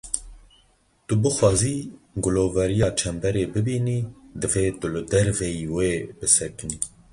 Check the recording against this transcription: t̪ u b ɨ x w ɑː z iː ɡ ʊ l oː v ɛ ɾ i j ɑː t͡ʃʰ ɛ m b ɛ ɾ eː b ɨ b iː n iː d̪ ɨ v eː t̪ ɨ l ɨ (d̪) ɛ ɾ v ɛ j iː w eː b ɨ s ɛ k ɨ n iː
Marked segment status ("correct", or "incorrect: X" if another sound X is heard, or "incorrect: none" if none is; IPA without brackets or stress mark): correct